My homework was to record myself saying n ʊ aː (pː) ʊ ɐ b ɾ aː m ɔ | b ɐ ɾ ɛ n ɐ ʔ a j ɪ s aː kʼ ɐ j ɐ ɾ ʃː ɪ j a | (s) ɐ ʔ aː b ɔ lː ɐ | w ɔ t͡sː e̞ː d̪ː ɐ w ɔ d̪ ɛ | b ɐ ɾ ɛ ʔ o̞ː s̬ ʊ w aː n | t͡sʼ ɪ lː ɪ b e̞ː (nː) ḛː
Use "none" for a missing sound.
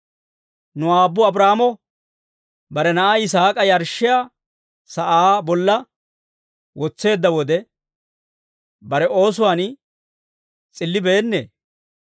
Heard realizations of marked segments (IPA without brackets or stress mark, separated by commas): bː, s, nː